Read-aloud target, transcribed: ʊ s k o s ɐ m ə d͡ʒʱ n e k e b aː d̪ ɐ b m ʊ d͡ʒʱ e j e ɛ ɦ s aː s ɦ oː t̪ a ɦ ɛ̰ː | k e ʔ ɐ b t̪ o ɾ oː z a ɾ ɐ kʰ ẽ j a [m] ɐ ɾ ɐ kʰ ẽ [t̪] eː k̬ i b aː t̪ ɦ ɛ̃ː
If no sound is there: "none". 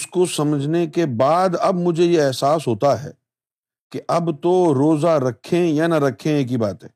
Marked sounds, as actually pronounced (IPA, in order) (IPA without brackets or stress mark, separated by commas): n, none